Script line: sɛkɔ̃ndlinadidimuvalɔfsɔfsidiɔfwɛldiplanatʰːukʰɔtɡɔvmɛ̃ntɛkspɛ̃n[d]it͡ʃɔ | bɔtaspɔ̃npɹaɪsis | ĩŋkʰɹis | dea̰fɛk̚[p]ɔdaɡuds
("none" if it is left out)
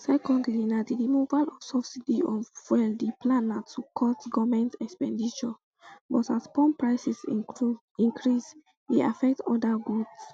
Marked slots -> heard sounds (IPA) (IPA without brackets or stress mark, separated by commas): d, t